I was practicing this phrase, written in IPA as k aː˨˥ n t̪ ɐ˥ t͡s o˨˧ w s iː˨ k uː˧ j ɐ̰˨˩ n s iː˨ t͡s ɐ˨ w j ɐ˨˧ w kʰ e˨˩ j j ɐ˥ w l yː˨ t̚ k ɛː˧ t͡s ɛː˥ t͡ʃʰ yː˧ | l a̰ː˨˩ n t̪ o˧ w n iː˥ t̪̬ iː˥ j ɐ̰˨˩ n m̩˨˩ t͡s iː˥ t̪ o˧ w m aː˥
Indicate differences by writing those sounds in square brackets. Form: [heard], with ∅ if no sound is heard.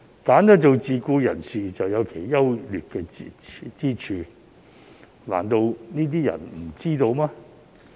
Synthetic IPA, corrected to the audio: k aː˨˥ n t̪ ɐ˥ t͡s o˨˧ w [t͡s] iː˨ k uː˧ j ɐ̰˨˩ n s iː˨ t͡s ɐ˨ w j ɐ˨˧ w kʰ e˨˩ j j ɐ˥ w l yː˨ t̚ k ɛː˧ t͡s [iː˥] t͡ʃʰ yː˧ | l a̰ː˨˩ n t̪ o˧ w n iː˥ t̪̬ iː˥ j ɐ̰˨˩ n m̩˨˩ t͡s iː˥ t̪ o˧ w m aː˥